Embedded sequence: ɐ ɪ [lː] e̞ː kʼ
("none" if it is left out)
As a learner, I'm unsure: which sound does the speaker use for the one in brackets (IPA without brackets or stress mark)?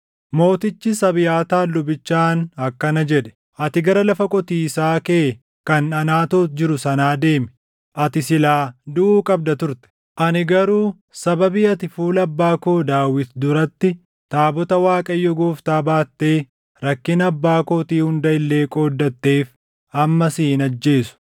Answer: lː